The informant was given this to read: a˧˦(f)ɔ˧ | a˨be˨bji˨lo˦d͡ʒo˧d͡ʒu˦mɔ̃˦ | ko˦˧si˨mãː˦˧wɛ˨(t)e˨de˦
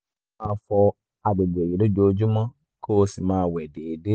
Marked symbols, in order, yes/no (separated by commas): yes, no